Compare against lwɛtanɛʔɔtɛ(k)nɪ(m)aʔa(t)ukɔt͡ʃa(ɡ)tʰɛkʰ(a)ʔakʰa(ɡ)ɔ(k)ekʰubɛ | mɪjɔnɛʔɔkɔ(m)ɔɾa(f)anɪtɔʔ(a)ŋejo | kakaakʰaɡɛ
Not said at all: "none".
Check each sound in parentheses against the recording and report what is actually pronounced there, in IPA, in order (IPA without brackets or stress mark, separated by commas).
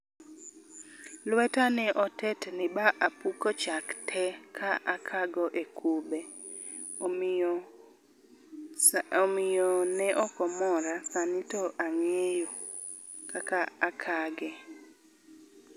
t, b, p, k, a, ɡ, ʔ, m, s, a